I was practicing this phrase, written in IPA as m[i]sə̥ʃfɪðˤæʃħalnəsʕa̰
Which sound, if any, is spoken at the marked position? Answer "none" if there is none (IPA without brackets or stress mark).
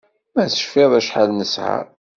æ